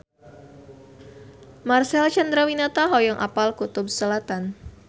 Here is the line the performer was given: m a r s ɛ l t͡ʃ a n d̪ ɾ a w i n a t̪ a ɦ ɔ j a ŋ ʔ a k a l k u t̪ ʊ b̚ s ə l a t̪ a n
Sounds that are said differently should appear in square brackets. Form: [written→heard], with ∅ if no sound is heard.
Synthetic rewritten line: m a r s ɛ l t͡ʃ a n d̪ ɾ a w i n a t̪ a ɦ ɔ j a ŋ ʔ a [k→p] a l k u t̪ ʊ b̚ s ə l a t̪ a n